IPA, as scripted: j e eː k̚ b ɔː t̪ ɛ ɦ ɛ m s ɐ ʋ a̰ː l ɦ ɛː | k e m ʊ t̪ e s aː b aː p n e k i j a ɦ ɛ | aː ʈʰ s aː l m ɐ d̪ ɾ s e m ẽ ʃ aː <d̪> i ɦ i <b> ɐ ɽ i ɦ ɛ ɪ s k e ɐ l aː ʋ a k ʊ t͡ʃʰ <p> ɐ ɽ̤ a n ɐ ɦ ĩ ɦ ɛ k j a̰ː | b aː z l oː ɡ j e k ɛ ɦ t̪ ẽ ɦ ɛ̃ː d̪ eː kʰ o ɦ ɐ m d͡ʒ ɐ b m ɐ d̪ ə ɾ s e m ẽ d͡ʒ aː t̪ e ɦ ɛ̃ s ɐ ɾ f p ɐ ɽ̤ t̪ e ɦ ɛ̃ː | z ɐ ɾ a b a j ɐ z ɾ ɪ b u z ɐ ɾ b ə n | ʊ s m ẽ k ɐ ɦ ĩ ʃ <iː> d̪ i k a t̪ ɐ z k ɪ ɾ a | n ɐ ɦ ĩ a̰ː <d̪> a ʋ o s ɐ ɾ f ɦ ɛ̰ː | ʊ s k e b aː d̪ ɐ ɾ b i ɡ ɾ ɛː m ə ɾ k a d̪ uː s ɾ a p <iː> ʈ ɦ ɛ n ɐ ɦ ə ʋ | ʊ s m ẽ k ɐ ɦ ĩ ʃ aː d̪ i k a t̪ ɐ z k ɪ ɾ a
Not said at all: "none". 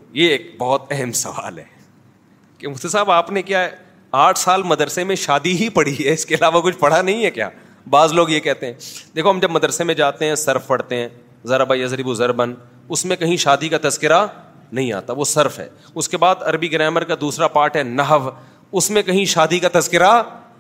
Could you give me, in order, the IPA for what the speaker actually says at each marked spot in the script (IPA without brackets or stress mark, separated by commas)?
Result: d̪, p, p, aː, t̪, aː